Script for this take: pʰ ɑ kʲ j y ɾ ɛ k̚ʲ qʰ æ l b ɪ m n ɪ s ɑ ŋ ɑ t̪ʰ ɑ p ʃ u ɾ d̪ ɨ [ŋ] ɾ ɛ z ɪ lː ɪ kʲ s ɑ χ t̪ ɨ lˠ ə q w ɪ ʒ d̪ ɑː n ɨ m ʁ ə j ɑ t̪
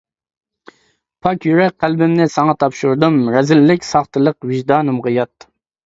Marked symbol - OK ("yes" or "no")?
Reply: no